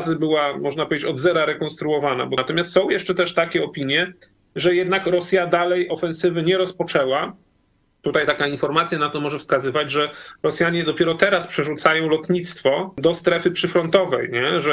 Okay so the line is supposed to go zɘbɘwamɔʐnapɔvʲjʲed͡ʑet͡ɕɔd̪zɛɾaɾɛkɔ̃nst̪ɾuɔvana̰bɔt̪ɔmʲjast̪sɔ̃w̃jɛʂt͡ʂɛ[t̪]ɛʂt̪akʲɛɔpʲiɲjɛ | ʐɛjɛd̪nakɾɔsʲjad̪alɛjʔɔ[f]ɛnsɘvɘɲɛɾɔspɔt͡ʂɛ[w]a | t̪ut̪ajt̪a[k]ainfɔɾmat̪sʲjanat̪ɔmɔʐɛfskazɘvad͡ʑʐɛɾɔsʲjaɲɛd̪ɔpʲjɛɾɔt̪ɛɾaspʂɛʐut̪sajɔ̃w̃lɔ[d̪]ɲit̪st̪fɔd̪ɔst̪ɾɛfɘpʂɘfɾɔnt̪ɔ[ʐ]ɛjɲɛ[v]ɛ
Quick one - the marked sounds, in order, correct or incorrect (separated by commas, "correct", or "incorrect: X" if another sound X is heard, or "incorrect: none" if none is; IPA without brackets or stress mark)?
correct, correct, correct, correct, incorrect: t̪, incorrect: v, incorrect: ʐ